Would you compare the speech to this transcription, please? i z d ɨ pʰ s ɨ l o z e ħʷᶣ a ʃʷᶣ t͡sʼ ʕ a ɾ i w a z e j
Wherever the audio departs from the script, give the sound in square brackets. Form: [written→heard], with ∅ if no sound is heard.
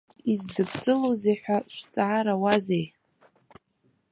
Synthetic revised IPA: i z d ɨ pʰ s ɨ l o z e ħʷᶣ a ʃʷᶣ t͡sʼ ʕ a ɾ [i→a] w a z e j